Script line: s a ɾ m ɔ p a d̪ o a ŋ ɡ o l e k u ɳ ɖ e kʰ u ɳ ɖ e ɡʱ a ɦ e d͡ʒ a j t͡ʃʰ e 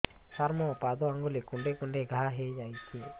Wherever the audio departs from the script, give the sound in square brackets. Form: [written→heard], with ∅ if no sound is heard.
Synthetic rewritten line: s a ɾ m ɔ p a d̪ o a ŋ ɡ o l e k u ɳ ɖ e [kʰ→k] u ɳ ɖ e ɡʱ a ɦ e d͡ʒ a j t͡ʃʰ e